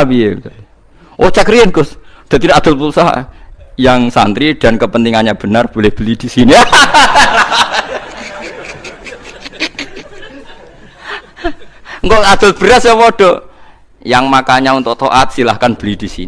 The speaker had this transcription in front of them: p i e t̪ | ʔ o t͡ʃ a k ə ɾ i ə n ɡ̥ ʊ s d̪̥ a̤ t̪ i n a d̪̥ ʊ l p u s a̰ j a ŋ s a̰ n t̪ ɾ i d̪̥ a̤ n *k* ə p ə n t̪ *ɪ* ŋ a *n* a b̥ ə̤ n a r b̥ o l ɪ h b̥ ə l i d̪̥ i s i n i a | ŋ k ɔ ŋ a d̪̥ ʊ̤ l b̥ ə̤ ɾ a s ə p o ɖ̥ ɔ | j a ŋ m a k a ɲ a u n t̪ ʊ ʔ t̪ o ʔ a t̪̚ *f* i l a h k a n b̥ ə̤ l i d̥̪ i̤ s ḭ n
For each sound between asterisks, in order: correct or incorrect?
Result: correct, incorrect, incorrect, incorrect

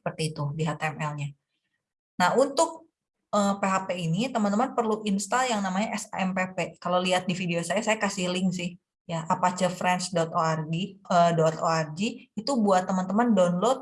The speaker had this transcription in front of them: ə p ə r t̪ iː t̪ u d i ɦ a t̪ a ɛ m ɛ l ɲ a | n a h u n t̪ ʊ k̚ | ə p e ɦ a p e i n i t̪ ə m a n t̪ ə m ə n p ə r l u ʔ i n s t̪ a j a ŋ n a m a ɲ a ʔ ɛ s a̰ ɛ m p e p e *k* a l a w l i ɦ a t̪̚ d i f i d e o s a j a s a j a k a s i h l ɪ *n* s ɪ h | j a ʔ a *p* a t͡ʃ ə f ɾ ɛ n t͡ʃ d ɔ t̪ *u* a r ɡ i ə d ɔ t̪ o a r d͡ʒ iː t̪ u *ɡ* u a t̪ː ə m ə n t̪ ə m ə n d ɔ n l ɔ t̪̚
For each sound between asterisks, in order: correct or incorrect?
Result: correct, incorrect, correct, incorrect, incorrect

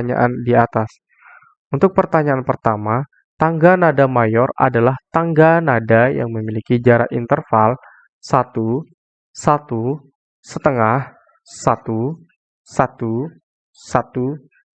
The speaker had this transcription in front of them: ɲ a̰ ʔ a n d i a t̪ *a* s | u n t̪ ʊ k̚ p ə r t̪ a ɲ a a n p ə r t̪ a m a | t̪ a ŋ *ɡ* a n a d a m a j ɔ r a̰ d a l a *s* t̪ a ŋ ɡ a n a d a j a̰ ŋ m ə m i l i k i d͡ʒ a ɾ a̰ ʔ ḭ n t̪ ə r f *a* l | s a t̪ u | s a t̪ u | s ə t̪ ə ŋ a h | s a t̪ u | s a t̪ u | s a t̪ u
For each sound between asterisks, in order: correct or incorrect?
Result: correct, correct, incorrect, correct

